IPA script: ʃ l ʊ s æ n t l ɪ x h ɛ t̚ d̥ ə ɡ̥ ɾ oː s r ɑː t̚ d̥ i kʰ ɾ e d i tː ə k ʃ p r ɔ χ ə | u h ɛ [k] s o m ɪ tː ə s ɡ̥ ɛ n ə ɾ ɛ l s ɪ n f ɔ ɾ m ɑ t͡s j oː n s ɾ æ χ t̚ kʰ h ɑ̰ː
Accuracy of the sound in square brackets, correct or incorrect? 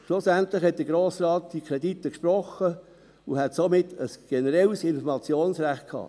incorrect